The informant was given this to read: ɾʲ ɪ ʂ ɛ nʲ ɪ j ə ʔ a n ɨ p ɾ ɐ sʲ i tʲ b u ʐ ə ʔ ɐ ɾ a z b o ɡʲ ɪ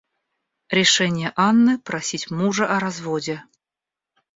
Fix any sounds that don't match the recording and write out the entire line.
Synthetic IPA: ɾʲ ɪ ʂ ɛ nʲ ɪ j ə ʔ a nː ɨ p ɾ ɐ sʲ i tʲ m u ʐ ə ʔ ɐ ɾ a z v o dʲ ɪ